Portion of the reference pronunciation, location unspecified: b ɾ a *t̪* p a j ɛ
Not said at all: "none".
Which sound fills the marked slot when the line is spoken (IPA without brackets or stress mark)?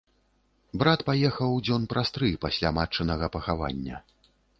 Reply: t̪